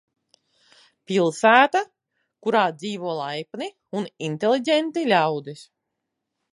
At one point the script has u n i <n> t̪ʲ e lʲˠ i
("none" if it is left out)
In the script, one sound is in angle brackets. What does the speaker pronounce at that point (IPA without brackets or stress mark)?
n